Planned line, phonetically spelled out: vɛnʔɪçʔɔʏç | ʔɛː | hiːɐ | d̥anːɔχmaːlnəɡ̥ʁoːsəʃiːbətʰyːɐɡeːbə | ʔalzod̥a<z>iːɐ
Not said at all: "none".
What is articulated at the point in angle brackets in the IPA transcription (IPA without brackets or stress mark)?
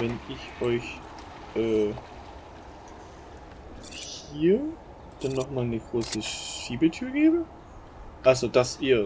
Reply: s